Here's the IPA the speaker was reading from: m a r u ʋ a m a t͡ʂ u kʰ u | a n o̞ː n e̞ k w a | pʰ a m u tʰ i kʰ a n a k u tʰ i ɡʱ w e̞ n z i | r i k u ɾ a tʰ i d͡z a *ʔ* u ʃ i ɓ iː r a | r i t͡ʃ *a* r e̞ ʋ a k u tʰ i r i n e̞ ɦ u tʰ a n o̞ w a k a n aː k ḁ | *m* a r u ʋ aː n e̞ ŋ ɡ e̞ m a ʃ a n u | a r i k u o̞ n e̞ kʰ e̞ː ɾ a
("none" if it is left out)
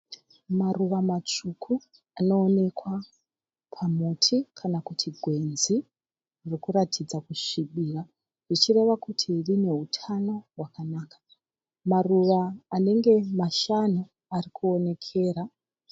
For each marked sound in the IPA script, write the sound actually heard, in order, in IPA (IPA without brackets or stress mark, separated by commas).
k, i, m